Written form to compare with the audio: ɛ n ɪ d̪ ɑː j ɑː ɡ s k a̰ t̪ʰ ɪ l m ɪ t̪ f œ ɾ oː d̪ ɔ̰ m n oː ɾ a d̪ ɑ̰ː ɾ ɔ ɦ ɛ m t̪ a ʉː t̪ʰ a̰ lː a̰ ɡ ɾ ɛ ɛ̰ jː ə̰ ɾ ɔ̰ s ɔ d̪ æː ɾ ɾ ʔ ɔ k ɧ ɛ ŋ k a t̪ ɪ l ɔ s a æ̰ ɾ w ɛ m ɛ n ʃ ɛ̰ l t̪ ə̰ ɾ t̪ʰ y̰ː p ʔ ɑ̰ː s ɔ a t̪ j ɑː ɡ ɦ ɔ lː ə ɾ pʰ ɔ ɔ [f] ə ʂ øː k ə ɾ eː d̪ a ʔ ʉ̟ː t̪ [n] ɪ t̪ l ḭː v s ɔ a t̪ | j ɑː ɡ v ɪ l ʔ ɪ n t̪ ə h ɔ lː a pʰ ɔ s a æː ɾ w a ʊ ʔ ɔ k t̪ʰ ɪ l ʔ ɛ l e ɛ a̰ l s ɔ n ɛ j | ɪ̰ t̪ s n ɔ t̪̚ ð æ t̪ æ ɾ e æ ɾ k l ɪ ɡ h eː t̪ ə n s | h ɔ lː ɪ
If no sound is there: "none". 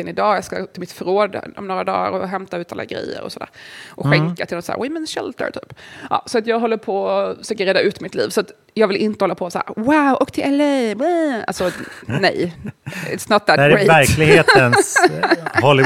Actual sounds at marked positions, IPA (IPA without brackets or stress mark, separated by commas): f, m